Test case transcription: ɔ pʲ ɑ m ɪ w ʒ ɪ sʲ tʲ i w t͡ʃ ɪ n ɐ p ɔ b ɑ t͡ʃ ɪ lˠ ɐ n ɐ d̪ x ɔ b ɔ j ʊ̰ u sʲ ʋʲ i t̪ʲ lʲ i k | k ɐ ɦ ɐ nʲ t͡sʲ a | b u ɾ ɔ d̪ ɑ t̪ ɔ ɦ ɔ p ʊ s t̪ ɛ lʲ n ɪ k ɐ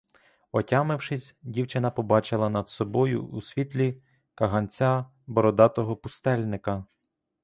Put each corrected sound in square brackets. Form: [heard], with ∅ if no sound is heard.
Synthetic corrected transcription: ɔ [tʲ] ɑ m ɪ w [ʃ] ɪ sʲ [dʲ] i w t͡ʃ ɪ n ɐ p ɔ b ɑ t͡ʃ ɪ lˠ ɐ n ɐ d̪ [s] ɔ b ɔ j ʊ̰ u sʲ ʋʲ i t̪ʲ lʲ i [∅] | k ɐ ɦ ɐ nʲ t͡sʲ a | b [ɔ] ɾ ɔ d̪ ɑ t̪ ɔ ɦ ɔ p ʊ s t̪ ɛ lʲ n ɪ k ɐ